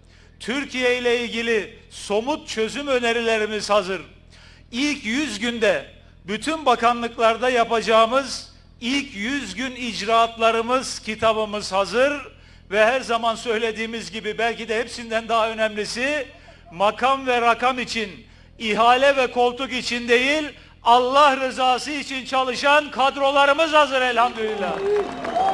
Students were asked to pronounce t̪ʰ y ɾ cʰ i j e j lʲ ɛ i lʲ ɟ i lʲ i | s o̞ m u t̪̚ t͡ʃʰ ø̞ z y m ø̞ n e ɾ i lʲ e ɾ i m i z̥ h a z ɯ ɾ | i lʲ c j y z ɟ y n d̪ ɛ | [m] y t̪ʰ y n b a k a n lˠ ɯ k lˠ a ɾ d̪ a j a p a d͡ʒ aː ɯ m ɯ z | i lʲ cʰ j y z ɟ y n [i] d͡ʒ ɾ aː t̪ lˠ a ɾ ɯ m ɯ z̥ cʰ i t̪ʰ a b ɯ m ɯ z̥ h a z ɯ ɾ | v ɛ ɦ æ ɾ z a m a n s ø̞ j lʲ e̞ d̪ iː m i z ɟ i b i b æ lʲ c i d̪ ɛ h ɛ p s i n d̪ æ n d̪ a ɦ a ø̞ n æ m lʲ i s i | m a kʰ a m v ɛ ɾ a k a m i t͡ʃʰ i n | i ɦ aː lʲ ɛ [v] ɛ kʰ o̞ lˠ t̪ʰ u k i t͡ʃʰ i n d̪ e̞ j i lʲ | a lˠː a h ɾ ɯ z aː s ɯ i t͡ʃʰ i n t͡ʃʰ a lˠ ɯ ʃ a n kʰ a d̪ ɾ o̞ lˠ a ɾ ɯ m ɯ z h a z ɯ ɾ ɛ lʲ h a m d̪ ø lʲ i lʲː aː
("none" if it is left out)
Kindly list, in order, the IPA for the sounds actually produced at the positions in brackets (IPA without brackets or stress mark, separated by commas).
b, i, v